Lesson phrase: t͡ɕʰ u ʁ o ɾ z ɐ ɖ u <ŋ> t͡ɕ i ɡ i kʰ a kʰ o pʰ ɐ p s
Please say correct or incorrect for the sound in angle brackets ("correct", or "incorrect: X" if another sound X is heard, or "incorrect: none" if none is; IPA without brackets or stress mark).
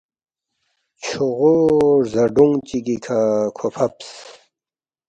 correct